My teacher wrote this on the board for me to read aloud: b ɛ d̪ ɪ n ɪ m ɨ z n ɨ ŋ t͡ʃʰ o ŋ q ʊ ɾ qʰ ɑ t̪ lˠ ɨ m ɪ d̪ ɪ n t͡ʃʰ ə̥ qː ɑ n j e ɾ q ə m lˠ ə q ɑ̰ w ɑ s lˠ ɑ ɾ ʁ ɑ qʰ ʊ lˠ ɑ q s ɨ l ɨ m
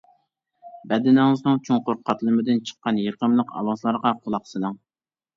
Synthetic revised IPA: b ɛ d̪ ɪ n ɪ ŋ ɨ z n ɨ ŋ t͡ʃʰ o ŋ q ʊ ɾ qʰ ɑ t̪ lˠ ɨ m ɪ d̪ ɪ n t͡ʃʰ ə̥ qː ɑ n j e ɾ q ə m lˠ ə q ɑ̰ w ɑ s lˠ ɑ ɾ ʁ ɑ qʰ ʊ lˠ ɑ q s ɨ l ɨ ŋ